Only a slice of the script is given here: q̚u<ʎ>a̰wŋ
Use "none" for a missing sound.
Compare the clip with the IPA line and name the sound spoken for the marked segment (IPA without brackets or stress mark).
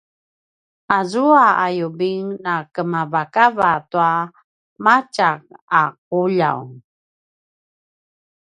ʎ